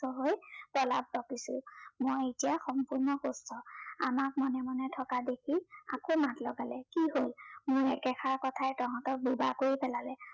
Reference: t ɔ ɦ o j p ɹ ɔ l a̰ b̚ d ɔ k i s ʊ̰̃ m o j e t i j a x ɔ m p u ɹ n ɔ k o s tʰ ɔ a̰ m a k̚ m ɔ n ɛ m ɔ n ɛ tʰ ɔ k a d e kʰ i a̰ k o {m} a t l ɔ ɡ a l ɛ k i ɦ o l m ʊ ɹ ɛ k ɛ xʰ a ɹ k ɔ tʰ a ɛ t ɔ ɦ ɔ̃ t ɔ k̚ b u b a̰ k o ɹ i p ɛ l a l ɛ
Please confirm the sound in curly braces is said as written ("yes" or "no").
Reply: yes